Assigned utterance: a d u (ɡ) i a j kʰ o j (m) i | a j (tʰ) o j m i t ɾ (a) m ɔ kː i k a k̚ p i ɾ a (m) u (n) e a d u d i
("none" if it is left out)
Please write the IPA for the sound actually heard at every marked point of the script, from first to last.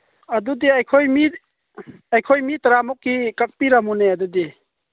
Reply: d, m, kʰ, a, m, n

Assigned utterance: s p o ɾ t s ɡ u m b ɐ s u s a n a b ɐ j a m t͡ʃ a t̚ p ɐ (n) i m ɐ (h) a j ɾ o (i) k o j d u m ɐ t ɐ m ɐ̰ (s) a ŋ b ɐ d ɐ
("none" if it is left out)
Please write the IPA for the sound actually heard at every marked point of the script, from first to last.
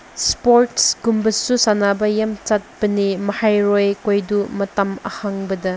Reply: n, h, j, h

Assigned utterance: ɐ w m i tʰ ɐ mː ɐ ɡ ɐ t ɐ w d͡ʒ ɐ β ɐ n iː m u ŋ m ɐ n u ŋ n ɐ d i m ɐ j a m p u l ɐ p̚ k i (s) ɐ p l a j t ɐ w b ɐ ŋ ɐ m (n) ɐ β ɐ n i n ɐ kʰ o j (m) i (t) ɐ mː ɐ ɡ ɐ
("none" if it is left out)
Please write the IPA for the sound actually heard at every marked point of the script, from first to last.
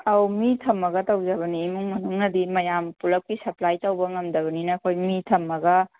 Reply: s, d, m, tʰ

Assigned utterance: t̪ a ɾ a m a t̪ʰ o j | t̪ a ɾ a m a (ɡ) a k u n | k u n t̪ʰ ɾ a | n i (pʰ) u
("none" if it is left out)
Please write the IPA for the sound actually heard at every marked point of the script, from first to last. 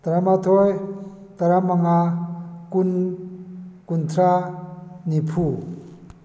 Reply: ŋ, pʰ

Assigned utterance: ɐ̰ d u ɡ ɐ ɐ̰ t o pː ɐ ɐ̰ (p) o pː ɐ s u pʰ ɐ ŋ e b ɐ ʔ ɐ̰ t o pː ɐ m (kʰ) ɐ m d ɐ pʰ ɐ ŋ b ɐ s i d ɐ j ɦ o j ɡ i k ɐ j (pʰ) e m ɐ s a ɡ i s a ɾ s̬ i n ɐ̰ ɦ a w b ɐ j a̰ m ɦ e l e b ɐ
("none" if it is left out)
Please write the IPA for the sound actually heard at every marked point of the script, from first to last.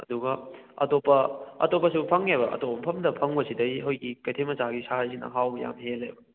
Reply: t, pʰ, tʰ

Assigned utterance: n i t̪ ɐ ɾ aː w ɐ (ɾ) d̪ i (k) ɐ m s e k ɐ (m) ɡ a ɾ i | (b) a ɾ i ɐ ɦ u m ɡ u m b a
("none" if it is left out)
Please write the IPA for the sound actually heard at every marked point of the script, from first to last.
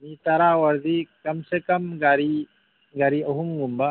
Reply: ɾ, k, m, ɡ

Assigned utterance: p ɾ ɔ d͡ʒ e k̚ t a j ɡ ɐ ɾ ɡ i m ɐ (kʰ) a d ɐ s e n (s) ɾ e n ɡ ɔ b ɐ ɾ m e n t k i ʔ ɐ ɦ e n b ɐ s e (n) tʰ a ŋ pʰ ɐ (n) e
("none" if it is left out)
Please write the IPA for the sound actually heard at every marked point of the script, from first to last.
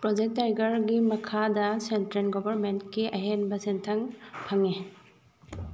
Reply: kʰ, t, n, ŋ

